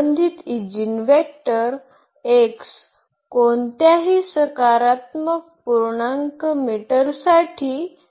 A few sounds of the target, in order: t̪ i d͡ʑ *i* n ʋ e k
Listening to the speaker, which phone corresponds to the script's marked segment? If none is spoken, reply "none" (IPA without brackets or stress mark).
i